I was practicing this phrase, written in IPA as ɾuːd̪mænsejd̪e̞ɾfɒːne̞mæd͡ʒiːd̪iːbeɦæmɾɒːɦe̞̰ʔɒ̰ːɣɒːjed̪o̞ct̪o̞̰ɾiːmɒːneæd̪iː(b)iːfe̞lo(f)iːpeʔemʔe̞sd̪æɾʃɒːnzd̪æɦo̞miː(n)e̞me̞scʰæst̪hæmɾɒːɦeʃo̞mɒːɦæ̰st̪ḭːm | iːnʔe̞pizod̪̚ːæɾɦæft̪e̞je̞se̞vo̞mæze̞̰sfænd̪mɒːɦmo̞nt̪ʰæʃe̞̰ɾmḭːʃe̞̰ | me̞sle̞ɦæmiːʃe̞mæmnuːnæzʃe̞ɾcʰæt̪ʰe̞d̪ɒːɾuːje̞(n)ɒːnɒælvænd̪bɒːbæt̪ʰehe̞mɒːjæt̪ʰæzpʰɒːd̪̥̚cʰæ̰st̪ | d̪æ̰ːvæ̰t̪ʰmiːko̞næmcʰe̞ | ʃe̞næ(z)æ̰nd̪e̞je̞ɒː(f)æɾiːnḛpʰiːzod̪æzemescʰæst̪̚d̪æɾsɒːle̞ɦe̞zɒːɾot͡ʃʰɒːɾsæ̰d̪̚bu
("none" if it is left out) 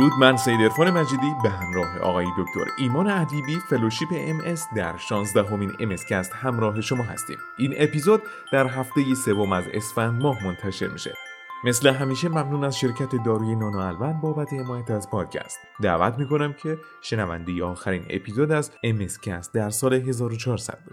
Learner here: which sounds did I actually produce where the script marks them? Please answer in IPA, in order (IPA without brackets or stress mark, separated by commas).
b, ʃ, n, n, v, x